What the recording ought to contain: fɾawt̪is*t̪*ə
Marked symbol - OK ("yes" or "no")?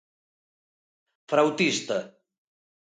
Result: yes